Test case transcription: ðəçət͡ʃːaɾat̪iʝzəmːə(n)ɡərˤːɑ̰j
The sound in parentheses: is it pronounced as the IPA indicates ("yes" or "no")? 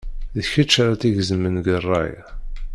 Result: yes